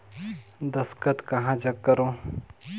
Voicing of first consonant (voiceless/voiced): voiced